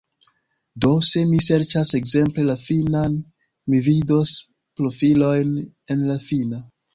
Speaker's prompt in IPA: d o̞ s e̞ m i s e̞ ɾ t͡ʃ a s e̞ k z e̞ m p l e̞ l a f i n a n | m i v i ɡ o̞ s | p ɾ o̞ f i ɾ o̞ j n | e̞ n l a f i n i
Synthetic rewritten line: d o̞ s e̞ m i s e̞ ɾ t͡ʃ a s e̞ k z e̞ m p l e̞ l a f i n a n | m i v i d o̞ s | p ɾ o̞ f i l o̞ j n | e̞ n l a f i n a